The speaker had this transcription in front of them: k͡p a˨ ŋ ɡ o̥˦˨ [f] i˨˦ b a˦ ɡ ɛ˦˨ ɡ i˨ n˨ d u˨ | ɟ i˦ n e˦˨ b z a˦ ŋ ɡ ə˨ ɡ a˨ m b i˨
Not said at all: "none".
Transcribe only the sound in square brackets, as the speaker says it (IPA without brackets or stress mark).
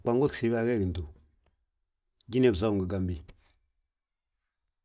s